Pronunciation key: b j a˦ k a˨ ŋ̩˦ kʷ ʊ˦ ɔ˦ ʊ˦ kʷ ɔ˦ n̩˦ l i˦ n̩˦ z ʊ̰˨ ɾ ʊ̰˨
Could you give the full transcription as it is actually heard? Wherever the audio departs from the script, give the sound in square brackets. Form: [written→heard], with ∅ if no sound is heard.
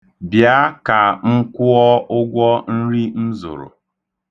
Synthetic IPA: b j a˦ k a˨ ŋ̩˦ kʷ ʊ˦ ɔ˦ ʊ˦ [kʷ→ɡʷ] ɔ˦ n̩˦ [l→ɾ] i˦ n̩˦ z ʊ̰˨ ɾ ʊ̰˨